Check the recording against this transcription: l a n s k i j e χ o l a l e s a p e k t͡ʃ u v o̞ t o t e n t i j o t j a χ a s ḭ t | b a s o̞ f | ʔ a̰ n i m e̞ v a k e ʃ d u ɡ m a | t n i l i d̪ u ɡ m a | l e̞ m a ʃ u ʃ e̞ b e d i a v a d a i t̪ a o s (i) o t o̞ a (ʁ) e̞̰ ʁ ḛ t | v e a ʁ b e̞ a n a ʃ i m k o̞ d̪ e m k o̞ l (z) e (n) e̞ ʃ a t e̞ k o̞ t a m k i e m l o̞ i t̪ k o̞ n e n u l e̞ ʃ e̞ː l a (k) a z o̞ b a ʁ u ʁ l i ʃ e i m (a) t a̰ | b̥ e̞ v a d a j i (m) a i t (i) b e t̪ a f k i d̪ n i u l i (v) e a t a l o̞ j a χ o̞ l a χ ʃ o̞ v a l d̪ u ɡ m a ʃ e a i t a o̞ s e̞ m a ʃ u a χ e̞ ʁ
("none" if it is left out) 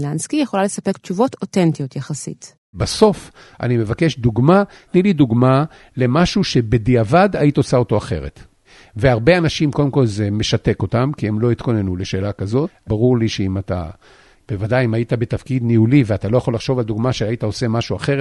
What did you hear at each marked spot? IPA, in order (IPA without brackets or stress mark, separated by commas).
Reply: a, χ, z, m, k, a, m, a, v